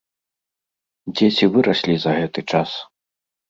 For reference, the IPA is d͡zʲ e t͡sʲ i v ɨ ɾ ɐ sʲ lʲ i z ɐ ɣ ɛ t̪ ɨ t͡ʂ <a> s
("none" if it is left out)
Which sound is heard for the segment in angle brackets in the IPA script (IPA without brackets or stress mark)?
a